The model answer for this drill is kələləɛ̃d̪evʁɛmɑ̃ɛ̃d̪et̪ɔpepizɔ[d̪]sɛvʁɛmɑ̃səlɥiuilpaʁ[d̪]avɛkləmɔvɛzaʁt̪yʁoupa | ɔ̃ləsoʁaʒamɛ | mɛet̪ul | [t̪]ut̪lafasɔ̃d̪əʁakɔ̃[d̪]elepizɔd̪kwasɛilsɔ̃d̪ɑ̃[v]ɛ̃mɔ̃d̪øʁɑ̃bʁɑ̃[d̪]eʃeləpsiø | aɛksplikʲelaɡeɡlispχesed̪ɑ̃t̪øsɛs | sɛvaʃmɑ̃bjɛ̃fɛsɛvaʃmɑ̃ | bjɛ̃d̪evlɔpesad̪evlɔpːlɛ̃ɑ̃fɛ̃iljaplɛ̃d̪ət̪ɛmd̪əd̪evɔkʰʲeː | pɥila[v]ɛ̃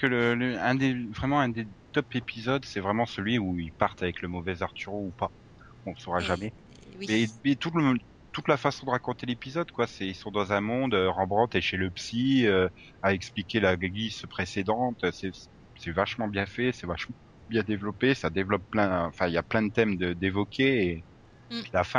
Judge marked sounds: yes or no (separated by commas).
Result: yes, no, yes, no, no, no, no